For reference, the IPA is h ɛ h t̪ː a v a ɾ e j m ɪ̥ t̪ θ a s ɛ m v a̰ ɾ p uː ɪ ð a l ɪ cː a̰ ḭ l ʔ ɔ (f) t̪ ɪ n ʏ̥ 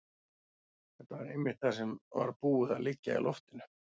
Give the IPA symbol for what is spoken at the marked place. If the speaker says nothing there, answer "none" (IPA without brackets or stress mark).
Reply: f